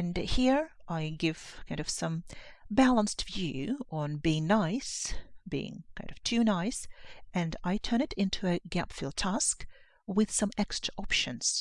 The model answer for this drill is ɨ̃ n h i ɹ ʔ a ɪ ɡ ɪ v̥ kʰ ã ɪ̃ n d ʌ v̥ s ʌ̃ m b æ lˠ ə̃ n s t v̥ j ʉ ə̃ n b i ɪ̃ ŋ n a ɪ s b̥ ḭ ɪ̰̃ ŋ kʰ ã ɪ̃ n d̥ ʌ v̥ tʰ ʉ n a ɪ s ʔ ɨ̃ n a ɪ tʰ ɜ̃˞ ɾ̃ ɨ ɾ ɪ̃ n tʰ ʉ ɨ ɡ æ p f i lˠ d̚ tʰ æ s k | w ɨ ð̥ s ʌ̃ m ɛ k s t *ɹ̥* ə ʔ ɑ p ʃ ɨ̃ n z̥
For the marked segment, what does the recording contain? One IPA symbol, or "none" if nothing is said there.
ɹ̥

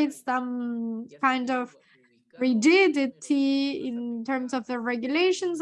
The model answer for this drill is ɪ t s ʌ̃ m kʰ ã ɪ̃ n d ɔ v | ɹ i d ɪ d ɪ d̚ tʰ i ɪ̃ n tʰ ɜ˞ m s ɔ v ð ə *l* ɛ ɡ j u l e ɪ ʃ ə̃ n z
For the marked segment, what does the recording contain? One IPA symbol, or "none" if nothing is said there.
ɹ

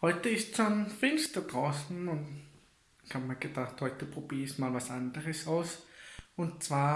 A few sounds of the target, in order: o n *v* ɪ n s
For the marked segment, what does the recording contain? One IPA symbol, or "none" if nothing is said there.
f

